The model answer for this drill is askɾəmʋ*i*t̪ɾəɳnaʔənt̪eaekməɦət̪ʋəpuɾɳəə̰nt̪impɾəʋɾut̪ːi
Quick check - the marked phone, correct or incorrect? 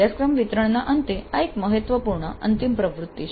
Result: correct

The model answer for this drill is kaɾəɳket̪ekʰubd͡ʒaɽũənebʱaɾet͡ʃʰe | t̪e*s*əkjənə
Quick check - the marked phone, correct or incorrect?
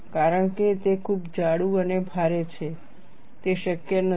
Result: incorrect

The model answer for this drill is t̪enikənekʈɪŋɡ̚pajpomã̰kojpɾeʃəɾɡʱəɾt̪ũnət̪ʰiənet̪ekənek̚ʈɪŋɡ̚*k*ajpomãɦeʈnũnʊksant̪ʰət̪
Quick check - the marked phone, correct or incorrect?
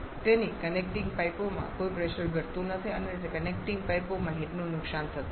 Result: incorrect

